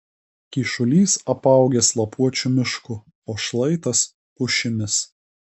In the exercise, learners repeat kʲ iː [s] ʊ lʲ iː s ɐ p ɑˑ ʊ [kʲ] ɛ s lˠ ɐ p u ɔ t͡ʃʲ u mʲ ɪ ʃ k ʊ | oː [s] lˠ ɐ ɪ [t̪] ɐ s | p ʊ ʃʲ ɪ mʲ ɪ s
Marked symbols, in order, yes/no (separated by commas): no, no, no, yes